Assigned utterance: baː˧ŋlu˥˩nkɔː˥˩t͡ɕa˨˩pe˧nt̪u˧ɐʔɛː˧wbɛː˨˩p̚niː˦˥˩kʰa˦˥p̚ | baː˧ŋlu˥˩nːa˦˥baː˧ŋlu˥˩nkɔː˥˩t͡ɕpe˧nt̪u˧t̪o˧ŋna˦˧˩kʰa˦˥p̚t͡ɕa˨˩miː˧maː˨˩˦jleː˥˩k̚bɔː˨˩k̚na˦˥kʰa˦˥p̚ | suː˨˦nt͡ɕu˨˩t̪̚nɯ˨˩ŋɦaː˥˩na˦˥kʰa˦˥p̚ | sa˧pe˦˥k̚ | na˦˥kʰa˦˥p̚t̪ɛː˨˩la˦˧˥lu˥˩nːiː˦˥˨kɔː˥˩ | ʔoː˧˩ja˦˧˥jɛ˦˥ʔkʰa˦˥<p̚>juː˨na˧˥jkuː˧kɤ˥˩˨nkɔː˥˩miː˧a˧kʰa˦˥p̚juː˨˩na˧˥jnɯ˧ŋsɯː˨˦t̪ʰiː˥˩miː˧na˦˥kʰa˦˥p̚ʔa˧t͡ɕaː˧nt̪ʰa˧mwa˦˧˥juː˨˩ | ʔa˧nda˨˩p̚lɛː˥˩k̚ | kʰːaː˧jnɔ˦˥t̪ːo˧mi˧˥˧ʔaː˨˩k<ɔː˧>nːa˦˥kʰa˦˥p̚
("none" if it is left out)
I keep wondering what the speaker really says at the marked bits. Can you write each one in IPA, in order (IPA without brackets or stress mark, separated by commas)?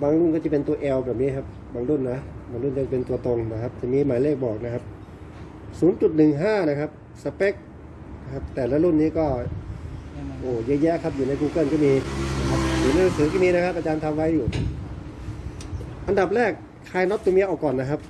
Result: p̚, ɔː˨˩